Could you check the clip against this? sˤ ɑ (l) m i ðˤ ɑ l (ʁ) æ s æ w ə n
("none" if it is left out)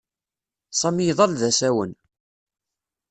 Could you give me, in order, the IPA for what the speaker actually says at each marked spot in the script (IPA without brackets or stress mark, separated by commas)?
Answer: none, ð